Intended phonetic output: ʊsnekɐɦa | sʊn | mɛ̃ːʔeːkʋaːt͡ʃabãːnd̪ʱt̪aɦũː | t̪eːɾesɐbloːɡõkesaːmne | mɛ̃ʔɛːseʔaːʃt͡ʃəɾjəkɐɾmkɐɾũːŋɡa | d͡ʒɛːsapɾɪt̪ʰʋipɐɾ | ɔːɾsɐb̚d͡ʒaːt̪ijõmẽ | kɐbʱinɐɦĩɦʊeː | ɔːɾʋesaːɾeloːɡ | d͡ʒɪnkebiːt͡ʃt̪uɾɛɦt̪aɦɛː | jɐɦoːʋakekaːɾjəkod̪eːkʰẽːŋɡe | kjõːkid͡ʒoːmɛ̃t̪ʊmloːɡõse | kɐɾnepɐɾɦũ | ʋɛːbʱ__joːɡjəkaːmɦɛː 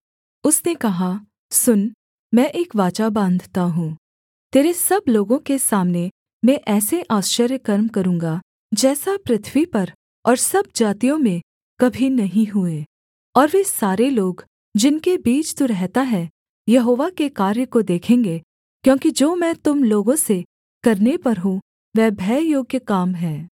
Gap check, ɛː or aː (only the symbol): ɛː